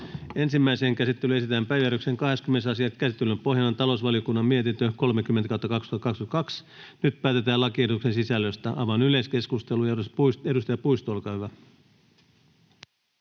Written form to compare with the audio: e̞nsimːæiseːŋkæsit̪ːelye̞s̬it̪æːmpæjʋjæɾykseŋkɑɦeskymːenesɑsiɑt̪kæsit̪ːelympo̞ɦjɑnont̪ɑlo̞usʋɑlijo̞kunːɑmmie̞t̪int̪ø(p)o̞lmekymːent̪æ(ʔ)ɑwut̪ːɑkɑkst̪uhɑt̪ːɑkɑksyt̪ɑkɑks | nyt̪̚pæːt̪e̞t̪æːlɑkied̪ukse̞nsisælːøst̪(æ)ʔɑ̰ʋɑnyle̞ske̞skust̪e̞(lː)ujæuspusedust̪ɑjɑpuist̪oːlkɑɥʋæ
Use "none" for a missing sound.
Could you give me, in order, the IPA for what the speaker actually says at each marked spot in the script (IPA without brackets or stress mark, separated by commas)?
k, k, æ, l